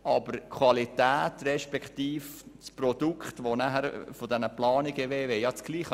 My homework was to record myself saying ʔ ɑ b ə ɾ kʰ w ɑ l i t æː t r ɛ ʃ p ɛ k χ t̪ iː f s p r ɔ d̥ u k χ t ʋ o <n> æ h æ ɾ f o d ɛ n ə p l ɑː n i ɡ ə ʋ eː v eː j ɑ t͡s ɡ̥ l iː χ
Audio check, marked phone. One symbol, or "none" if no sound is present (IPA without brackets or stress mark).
n